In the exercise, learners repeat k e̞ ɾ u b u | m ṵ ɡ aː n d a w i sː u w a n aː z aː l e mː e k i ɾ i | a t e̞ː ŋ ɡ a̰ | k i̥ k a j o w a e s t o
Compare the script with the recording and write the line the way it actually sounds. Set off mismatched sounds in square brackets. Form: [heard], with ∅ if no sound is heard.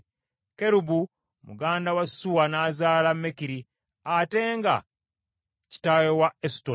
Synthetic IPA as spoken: k e̞ ɾ u b u | m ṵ ɡ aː n d a w [a] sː u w a n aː z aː l [a] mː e k i ɾ i | a t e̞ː ŋ ɡ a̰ | [c] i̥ [t] a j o w a e s t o